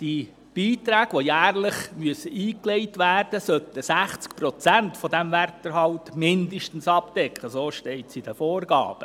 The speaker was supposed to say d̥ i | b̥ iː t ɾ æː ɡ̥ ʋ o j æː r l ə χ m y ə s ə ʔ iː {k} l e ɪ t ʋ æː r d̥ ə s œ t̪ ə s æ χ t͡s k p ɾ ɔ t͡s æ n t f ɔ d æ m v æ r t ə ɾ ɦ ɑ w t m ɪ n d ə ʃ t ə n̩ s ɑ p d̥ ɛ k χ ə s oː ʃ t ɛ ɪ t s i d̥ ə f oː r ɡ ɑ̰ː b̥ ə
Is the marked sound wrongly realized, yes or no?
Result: no